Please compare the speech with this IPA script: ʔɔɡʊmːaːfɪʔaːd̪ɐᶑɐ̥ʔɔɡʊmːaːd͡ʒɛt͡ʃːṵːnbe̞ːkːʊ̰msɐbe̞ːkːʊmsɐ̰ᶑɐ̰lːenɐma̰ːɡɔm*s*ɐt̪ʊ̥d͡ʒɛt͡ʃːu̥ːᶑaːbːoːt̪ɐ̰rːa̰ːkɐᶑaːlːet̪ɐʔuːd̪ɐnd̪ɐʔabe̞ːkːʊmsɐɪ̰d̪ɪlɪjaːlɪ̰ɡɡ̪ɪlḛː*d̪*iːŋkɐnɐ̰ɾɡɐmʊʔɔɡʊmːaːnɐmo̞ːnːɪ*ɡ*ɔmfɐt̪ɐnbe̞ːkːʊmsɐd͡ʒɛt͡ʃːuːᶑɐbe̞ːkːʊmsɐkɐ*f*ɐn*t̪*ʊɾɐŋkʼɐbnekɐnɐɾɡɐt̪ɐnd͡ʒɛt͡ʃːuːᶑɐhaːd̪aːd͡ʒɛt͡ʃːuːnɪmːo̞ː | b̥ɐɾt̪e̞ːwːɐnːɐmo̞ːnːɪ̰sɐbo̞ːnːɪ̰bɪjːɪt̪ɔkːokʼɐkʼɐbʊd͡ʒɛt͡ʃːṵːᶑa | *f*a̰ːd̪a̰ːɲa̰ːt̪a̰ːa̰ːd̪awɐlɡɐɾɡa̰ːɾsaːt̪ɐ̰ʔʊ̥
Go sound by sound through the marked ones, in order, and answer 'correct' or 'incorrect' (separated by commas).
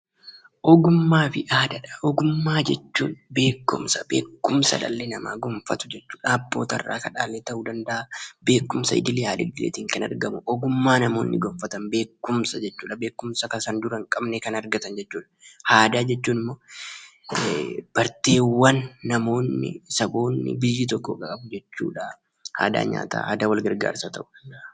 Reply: incorrect, incorrect, correct, incorrect, incorrect, incorrect